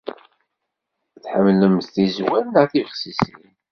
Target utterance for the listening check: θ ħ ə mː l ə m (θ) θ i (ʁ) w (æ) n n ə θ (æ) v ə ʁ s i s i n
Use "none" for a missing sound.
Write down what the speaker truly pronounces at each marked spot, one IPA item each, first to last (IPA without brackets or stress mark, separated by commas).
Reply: θ, z, æ, i